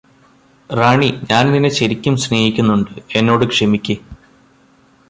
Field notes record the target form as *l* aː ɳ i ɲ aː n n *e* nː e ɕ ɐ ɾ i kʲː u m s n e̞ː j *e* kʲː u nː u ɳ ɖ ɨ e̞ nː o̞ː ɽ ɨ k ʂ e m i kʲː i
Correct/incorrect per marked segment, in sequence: incorrect: r, incorrect: i, incorrect: i

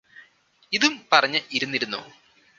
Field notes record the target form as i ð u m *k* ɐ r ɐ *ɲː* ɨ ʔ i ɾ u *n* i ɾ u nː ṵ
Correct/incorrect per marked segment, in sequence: incorrect: p, correct, incorrect: nː

